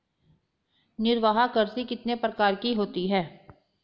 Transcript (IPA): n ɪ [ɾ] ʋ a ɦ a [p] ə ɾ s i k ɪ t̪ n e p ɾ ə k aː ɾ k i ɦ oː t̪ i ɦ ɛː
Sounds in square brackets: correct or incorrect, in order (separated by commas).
correct, incorrect